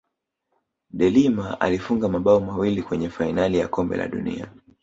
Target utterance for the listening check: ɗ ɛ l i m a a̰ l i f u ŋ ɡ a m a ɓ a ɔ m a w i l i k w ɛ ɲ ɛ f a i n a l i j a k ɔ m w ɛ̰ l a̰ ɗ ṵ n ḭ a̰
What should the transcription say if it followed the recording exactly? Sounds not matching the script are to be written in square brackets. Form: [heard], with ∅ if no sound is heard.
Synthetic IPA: ɗ ɛ l i m a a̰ l i f u ŋ ɡ a m a ɓ a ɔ m a w i l i k w ɛ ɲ ɛ f a i n a l i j a k ɔ m [b] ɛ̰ l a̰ ɗ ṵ n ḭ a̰